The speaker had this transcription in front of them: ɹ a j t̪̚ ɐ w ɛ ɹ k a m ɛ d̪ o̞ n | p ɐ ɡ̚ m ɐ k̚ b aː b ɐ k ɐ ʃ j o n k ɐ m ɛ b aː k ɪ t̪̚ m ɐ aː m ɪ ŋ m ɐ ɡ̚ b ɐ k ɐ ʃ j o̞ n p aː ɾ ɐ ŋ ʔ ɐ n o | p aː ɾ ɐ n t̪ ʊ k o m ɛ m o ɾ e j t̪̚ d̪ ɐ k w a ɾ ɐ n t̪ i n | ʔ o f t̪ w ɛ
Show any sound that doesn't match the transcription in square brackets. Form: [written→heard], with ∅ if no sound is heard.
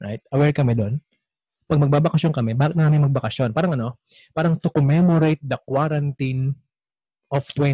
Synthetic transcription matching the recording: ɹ a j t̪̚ ɐ w ɛ ɹ k [a→ɐ] m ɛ d̪ o̞ n | p ɐ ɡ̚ m ɐ [k̚→ɡ̚] b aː b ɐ k ɐ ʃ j o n k ɐ m ɛ b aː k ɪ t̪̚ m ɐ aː m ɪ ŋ m ɐ ɡ̚ b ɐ k ɐ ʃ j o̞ n p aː ɾ ɐ ŋ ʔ ɐ n o | p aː ɾ ɐ [n→ŋ] t̪ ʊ k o m ɛ m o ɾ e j t̪̚ d̪ ɐ k w a ɾ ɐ n t̪ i n | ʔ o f t̪ w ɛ